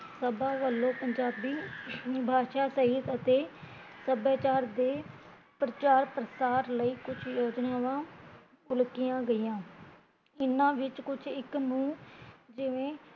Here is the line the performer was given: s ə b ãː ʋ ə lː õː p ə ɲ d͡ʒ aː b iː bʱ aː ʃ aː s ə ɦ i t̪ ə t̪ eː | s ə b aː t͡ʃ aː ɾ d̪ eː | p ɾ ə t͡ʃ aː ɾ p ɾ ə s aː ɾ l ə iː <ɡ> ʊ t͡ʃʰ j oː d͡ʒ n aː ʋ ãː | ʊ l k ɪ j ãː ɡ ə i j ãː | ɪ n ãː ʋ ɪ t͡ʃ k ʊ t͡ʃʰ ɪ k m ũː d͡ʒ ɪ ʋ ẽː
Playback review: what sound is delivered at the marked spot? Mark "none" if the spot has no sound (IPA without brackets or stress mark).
k